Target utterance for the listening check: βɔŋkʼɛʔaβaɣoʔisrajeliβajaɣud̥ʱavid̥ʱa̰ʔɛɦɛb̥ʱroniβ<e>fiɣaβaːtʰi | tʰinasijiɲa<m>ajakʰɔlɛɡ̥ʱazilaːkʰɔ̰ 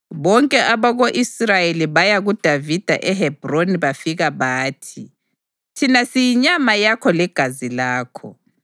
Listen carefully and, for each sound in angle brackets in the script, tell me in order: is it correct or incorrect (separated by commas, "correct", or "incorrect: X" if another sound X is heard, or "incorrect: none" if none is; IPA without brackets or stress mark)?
incorrect: a, correct